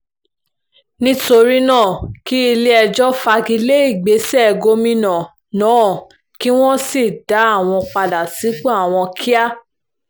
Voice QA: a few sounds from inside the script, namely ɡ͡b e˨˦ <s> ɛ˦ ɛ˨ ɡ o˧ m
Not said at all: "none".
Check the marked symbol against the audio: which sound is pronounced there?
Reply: s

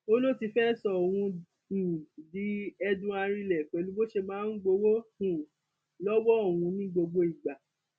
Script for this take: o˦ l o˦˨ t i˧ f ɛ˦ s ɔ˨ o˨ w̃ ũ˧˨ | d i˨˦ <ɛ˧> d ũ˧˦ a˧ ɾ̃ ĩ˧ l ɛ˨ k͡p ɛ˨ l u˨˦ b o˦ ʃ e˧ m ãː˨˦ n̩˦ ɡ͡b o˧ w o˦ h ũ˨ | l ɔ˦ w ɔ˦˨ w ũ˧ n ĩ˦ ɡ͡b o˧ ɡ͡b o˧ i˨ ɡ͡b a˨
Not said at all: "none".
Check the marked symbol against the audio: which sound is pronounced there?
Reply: ɛ˧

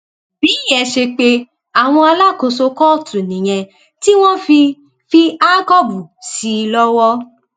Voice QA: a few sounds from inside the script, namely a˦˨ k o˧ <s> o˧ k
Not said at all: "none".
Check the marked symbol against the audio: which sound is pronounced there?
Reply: s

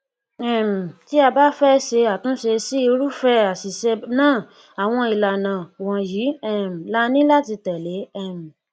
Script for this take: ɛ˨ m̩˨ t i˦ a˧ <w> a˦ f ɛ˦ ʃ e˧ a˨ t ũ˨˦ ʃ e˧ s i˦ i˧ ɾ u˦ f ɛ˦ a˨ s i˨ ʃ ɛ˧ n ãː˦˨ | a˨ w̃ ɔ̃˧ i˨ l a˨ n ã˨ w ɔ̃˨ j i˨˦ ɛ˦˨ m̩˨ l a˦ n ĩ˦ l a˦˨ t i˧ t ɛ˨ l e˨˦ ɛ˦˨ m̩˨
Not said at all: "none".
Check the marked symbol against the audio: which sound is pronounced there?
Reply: b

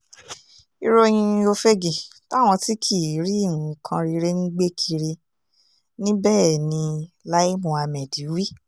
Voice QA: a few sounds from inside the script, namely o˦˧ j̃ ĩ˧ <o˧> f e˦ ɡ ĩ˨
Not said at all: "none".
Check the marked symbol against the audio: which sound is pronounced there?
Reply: o˧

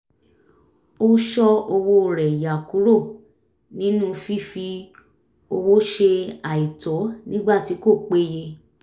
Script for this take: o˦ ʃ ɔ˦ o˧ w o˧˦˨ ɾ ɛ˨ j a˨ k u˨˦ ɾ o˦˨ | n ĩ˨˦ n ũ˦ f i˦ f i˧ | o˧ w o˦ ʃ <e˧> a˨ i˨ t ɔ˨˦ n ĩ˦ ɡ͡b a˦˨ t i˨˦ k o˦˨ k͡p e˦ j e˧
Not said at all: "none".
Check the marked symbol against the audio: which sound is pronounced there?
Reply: e˧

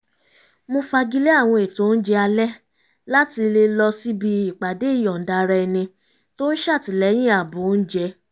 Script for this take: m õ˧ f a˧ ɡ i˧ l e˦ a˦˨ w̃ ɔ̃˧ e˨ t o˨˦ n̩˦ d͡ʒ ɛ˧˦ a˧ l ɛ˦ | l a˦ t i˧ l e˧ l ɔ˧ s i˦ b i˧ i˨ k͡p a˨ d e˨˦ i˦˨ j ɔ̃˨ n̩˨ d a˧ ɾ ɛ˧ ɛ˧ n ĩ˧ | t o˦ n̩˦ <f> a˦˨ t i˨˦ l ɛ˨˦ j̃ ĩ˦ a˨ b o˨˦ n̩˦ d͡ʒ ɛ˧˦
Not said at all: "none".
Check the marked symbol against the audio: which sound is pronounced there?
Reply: ʃ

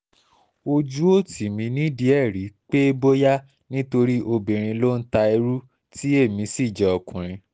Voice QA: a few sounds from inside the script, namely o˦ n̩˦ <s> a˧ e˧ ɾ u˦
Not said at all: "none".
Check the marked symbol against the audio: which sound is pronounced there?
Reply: t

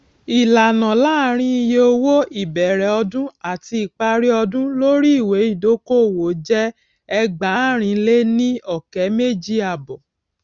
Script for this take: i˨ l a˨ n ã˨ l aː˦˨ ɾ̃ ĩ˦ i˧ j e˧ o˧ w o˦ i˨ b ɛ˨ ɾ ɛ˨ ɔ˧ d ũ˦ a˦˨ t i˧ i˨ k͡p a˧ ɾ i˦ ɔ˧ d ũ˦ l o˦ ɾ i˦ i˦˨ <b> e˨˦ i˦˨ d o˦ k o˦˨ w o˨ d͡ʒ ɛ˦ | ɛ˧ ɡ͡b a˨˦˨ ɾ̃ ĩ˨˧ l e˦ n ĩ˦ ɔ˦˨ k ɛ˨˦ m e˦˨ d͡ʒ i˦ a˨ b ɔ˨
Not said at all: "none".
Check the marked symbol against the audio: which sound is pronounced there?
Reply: w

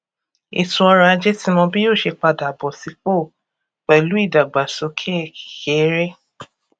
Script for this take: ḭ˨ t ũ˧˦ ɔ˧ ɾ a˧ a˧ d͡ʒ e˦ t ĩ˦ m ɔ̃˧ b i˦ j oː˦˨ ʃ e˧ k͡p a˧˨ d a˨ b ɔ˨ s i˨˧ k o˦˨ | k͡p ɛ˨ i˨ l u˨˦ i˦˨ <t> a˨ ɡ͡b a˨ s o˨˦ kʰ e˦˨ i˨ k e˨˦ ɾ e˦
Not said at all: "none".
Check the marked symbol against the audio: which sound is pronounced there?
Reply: d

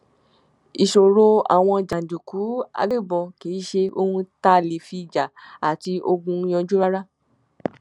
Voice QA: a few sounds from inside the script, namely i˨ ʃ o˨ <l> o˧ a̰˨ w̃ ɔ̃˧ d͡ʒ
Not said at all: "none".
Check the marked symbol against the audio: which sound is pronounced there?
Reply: ɾ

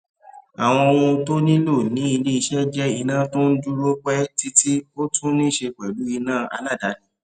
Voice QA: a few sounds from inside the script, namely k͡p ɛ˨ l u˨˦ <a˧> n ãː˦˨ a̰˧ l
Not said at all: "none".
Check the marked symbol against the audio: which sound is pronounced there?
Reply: i˧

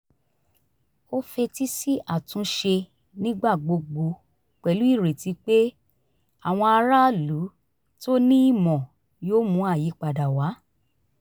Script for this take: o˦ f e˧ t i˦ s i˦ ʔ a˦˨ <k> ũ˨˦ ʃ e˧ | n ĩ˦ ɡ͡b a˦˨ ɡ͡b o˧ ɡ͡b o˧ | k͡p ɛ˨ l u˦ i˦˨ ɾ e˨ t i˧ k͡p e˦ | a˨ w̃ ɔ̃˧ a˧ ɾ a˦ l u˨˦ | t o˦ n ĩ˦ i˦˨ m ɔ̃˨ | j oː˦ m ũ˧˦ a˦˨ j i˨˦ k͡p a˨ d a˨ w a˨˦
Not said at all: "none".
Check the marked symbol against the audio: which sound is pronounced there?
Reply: t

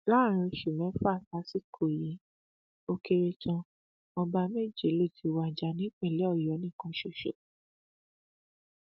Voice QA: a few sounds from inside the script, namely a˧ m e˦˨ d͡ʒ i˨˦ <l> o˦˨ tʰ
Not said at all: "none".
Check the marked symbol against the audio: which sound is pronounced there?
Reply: l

